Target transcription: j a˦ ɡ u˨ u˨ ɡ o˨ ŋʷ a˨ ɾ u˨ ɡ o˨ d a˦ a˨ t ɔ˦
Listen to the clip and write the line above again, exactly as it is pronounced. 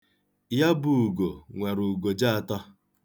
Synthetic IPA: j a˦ b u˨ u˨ ɡ o˨ ŋʷ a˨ ɾ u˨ ɡ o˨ d͡ʒ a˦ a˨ t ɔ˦